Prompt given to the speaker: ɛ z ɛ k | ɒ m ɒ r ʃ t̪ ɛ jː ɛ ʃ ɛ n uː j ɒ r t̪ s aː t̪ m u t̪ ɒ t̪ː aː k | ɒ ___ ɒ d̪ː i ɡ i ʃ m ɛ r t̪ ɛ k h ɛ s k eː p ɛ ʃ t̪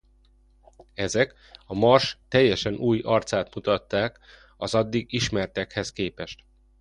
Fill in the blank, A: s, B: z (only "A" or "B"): B